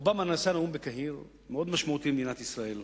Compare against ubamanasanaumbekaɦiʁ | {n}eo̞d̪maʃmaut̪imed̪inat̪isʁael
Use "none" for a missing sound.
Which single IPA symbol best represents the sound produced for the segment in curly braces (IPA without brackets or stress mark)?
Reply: m